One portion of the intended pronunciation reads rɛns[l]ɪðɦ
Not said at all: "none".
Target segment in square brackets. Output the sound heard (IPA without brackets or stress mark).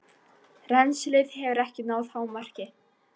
l